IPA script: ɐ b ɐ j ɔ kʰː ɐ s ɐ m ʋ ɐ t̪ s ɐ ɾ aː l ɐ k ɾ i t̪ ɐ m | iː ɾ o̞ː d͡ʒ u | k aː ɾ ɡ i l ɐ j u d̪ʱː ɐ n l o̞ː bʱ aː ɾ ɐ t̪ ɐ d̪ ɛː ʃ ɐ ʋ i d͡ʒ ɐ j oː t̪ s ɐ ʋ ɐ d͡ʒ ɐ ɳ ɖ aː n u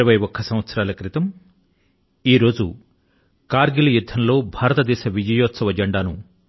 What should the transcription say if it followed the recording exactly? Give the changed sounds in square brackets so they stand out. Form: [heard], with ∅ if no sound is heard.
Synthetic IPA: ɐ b ɐ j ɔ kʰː ɐ s ɐ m ʋ ɐ t̪ s ɐ ɾ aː l ɐ k ɾ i t̪ ɐ m | iː ɾ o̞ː d͡ʒ u | k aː ɾ ɡ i l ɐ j u d̪ʱː ɐ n l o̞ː bʱ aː ɾ ɐ t̪ ɐ d̪ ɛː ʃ ɐ ʋ i d͡ʒ ɐ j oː t̪ s ɐ ʋ ɐ d͡ʒ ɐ ɳ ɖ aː n u